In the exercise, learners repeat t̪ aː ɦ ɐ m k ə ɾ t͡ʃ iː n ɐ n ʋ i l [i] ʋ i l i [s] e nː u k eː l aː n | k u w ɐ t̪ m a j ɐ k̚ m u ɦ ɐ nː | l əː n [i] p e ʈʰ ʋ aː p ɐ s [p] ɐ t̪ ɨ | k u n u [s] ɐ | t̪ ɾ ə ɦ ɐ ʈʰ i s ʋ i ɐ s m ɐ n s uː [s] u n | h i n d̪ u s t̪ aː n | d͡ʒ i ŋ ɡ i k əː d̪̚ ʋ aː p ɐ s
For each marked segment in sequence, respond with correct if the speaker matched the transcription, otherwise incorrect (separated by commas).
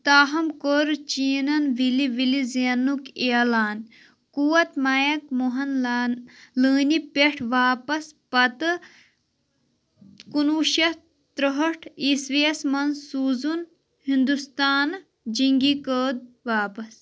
correct, incorrect, correct, correct, incorrect, incorrect